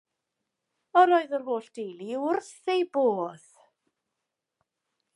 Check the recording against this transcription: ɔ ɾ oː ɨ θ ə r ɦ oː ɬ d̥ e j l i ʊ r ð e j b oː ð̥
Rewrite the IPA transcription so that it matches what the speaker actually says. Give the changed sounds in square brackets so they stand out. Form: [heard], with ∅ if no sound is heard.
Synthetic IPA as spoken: ɔ ɾ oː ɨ [ð] ə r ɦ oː ɬ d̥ e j l i ʊ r [θ] e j b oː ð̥